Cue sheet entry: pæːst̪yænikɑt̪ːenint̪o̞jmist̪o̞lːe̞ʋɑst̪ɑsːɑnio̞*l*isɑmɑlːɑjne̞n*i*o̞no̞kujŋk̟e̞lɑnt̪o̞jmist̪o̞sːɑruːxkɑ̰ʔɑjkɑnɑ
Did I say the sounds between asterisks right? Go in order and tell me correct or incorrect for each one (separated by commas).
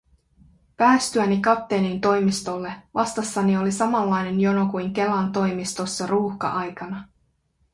correct, incorrect